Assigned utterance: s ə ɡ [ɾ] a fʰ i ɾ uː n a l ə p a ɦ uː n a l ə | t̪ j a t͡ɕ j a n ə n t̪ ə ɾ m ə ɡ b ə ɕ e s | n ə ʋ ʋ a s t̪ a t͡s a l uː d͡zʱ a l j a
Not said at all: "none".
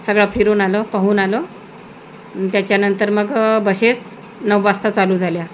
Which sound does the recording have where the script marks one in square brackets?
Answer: ɭ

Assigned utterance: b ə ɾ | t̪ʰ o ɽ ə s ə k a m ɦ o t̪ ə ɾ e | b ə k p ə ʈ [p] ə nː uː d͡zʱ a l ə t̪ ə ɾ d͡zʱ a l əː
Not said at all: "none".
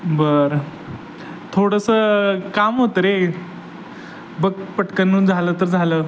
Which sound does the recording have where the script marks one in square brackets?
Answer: k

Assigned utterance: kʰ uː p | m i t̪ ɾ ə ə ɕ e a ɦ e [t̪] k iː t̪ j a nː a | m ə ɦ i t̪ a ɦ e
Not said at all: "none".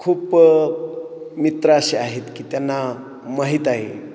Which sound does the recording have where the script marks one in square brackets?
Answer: t̪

